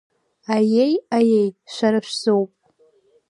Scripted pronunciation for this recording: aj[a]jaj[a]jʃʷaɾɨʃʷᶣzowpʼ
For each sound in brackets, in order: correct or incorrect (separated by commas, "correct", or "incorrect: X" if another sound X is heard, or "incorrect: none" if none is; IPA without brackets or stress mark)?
incorrect: e, incorrect: e